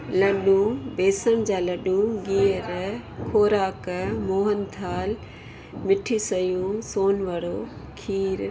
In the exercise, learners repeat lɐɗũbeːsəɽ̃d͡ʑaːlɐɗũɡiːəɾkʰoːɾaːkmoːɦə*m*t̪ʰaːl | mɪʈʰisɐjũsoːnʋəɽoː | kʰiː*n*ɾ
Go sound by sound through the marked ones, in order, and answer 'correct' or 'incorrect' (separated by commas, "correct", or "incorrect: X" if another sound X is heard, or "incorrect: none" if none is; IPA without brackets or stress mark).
incorrect: n, incorrect: none